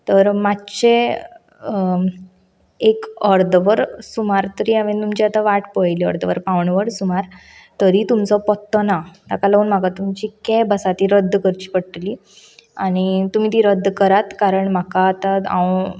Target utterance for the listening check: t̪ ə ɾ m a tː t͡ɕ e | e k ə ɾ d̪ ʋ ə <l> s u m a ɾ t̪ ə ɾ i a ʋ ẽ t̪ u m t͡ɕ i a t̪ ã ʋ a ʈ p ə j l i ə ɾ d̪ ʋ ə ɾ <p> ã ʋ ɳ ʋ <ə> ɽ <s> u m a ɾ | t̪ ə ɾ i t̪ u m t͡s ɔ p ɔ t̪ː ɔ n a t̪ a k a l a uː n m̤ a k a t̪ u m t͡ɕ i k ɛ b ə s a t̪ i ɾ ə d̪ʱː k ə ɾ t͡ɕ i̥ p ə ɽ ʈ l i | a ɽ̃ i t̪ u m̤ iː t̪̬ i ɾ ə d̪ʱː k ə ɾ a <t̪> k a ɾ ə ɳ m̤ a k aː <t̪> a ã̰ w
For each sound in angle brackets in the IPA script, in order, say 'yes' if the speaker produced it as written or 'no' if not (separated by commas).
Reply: no, yes, yes, yes, yes, yes